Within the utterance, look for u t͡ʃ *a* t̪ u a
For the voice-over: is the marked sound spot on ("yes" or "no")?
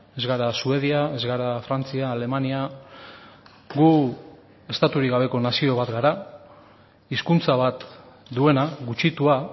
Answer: no